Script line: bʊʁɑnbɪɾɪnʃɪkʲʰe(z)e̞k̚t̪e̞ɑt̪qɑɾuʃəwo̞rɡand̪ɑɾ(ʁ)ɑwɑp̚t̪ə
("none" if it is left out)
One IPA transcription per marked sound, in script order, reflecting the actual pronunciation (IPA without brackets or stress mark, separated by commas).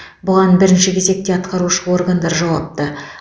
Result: z, ʒ